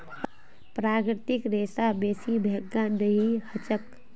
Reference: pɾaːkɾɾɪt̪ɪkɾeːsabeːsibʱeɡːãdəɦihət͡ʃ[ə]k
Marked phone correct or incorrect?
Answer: correct